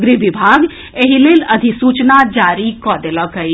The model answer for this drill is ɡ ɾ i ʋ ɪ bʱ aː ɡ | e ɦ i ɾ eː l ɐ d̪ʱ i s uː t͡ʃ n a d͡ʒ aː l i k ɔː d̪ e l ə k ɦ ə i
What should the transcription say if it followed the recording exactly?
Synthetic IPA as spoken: ɡ ɾ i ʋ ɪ bʱ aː ɡ | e ɦ i l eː l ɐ d̪ʱ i s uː t͡ʃ n a d͡ʒ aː ɾ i k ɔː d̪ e l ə k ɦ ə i

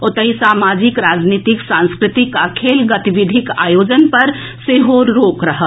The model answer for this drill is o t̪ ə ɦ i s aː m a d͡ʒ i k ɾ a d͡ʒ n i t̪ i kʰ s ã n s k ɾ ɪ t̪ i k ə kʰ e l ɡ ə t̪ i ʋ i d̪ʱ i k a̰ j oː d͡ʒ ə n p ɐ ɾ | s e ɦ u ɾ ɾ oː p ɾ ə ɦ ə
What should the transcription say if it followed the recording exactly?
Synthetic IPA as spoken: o t̪ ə ɦ i s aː m a d͡ʒ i k ɾ a d͡ʒ n i t̪ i k s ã n s k ɾ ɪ t̪ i k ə kʰ e l ɡ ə t̪ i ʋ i d̪ʱ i k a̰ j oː d͡ʒ ə n p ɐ ɾ | s e ɦ o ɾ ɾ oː k ɾ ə ɦ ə

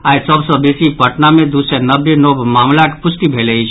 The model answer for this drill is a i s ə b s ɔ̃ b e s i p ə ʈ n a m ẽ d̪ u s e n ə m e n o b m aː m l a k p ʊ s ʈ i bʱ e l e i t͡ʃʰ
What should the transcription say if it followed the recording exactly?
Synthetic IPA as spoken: a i s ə b s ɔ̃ b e s i p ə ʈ n a m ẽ d̪ u s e n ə b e n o b m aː m l a k p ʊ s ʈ i bʱ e l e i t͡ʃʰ

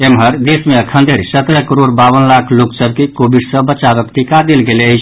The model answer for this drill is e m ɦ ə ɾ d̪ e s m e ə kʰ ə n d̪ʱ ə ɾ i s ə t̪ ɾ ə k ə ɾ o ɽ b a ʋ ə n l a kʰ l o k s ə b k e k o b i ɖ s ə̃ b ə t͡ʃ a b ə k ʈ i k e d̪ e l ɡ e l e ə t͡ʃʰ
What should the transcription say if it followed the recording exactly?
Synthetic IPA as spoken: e m ɦ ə ɾ d̪ e s m e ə kʰ ə n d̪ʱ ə ɾ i s ə t̪ ɾ ə k ə ɾ o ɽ b a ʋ ə n l a kʰ l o k s ə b k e k o b i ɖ s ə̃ b ə t͡ʃ a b ə k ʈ i k a d̪ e l ɡ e l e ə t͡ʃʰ

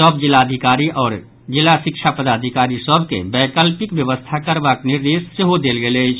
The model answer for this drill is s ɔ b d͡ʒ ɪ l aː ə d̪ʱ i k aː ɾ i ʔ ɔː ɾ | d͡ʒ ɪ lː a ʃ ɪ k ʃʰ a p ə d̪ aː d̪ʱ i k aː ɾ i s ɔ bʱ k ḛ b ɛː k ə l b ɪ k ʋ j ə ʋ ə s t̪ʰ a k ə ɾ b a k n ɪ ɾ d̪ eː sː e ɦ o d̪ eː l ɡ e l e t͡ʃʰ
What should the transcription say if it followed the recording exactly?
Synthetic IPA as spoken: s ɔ b d͡ʒ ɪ l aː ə d̪ʱ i k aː ɾ i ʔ ɔː ɾ | d͡ʒ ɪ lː a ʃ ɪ k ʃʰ a p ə d̪ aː d̪ʱ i k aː ɾ i s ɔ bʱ k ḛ b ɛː k ə l p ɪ k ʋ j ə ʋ ə s t̪ʰ a k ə ɾ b a k n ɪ ɾ d̪ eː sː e ɦ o d̪ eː l ɡ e l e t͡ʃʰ

